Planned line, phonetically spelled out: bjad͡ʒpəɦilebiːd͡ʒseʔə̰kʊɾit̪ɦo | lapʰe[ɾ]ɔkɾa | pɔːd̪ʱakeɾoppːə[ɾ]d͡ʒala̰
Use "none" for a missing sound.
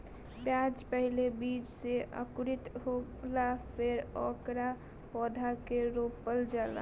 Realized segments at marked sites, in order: ɾ, l

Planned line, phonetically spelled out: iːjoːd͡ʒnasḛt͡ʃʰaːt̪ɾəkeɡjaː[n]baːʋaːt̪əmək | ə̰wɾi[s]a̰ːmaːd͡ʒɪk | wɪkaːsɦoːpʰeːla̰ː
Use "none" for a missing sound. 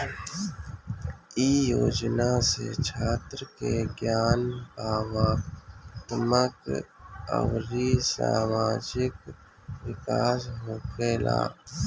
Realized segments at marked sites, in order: n, s

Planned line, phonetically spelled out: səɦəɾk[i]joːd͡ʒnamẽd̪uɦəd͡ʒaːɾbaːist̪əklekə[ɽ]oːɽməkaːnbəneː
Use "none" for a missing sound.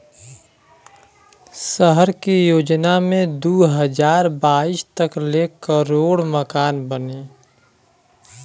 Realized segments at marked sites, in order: i, ɾ

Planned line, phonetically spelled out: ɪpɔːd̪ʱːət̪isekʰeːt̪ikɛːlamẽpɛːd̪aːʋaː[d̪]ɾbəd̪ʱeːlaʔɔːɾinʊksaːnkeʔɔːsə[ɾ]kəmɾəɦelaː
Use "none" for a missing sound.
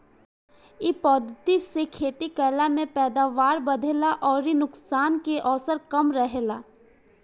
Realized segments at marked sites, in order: none, ɾ

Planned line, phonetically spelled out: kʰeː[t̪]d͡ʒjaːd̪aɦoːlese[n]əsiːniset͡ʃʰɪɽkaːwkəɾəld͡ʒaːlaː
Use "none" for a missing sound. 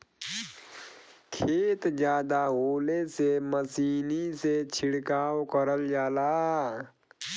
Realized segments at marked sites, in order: t̪, m

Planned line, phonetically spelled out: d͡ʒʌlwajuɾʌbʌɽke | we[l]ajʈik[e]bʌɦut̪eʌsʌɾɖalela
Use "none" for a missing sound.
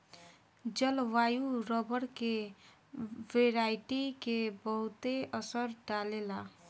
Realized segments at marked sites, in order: ɾ, e

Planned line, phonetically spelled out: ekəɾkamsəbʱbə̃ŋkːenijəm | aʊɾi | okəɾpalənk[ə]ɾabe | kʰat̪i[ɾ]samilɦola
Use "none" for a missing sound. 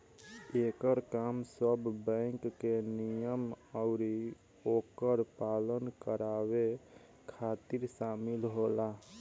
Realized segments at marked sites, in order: ə, ɾ

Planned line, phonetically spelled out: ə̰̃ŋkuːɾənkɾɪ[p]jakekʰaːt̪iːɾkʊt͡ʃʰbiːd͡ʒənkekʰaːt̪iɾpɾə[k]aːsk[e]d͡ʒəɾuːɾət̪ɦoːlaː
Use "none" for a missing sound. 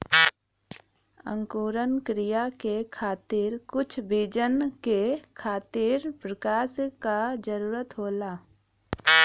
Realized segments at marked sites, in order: none, k, a

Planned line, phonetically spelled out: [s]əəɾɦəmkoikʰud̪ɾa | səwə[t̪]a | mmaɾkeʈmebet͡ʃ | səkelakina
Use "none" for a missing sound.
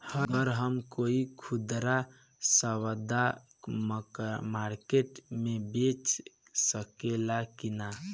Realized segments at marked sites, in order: h, d̪

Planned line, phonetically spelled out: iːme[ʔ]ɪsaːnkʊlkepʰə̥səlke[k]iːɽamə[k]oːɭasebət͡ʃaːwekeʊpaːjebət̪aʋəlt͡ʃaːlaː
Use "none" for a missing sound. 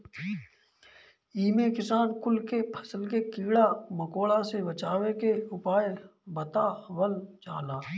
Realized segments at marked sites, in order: k, k, k

